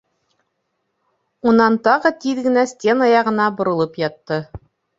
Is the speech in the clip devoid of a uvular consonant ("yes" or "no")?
no